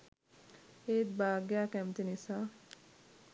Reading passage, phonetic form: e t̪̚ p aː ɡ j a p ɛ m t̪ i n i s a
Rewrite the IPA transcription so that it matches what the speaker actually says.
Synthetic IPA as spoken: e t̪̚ b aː ɡ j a k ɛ m t̪ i n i s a

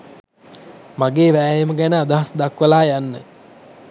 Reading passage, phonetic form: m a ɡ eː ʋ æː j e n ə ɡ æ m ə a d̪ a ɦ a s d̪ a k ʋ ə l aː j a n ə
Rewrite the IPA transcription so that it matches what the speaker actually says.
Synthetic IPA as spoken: m a ɡ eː ʋ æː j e m ə ɡ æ n ə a d̪ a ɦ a s d̪ a k ʋ ə l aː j a nː ə

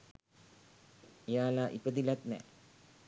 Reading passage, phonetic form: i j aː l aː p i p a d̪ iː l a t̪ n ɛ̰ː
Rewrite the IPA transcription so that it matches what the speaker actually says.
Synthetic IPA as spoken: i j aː l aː ʔ i p ə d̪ i l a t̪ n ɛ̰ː

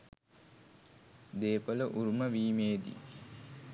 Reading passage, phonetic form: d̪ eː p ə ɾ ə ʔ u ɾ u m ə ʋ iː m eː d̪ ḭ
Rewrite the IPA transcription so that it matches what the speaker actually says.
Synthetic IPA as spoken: d̪ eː p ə l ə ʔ u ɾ u m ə ʋ iː m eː d̪ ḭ

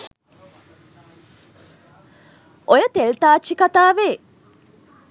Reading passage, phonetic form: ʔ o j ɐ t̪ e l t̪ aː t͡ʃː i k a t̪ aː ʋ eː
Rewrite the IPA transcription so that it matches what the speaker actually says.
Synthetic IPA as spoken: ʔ o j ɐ t̪ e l t̪ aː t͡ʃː i k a t̪ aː ʋ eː

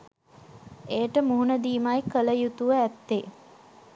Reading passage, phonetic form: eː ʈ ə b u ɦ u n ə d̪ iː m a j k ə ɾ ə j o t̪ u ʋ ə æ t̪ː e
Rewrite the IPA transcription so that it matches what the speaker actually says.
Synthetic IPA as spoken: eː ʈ ə m u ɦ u n ə d̪ iː m a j k ə l ə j u t̪ u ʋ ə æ t̪ː e

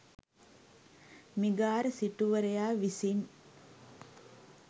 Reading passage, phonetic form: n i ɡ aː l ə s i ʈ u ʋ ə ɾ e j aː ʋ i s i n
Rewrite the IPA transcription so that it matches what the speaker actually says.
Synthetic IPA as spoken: m i ɡ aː ɾ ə s i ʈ u ʋ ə ɾ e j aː ʋ i s i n

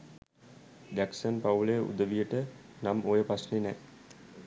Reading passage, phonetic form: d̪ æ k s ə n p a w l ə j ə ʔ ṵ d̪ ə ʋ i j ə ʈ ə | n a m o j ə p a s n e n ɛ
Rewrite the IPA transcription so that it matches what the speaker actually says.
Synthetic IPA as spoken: d̪ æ k s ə n p a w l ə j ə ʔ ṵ d̪ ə ʋ i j ə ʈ ə | n a m o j ə p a s n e n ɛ

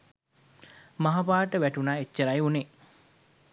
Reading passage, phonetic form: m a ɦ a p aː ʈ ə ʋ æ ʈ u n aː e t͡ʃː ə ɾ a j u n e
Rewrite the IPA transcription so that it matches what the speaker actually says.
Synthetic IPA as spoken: m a ɦ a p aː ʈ ə ʋ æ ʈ u n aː e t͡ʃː ə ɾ a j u n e

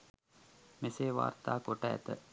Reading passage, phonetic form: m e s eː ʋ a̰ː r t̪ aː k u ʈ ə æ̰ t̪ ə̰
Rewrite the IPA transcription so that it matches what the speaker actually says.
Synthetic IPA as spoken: m e s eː ʋ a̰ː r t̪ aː k o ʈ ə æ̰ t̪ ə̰

